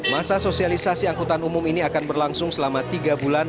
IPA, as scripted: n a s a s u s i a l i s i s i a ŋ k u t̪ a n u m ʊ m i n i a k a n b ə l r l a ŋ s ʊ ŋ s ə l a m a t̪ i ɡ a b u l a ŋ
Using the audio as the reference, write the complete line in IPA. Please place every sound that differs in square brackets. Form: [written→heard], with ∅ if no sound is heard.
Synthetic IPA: [n→m] a s a s [u→o] s i a l i s [i→a] s i a ŋ k u t̪ a n u m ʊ m i n i a k a n b ə [l→∅] r l a ŋ s ʊ ŋ s ə l a m a t̪ i ɡ a b u l a [ŋ→n]